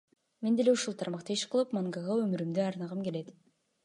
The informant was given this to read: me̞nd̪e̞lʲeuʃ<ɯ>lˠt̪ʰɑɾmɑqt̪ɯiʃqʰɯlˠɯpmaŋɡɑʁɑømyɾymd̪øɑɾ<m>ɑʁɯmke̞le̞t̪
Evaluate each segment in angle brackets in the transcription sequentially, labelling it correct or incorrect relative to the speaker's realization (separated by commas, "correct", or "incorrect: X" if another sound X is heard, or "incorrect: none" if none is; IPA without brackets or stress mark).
incorrect: u, incorrect: n